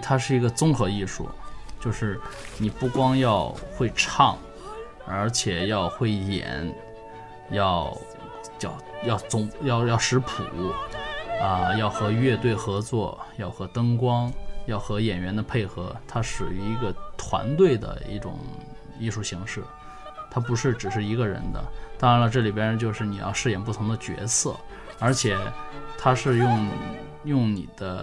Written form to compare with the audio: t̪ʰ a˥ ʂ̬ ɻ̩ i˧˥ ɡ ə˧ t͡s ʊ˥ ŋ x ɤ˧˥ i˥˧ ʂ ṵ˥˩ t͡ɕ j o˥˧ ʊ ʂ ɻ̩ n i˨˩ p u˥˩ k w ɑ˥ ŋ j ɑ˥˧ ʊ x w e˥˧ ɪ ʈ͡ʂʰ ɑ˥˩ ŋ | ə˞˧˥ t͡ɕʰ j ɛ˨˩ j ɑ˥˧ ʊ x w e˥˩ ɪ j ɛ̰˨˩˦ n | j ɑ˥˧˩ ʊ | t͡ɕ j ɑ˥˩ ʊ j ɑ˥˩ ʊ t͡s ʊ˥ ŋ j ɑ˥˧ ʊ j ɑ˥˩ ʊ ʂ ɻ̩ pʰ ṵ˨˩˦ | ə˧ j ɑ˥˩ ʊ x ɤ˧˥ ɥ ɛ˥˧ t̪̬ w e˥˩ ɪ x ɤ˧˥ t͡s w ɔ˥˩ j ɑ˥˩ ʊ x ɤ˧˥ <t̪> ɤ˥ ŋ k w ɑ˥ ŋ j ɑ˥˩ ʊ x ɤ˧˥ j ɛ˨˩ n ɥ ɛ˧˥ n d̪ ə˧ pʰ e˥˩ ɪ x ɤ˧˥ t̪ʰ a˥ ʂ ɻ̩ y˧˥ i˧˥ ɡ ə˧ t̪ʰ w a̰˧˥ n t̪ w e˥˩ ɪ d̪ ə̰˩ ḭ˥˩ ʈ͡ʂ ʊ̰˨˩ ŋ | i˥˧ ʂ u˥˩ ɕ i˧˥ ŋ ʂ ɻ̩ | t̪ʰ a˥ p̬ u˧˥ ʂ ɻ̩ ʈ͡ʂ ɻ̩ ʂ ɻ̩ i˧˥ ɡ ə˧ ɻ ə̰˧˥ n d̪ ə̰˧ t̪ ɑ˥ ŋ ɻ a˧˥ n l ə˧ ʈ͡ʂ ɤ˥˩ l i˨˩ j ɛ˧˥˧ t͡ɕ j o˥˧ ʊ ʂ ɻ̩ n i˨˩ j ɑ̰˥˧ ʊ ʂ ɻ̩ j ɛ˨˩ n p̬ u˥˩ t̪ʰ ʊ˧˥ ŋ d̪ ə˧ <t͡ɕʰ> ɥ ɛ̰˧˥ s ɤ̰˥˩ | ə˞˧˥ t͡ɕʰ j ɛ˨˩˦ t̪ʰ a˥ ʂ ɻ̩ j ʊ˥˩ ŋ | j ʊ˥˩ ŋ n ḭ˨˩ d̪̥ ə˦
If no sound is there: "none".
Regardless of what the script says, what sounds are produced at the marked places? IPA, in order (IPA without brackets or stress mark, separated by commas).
t̪, t͡ɕ